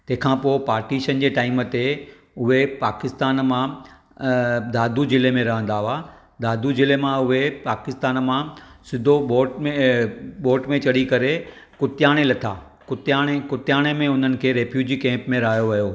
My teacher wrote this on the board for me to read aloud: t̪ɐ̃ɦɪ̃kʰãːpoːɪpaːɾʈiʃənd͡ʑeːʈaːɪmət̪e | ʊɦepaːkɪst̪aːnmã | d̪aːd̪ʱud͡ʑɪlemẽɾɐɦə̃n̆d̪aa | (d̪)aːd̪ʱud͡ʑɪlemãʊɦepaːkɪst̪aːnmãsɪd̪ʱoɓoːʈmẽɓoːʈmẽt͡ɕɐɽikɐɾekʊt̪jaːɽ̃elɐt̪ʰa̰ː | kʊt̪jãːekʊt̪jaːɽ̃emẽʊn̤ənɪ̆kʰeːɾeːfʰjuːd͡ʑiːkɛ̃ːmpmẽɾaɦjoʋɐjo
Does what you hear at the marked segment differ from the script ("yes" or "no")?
no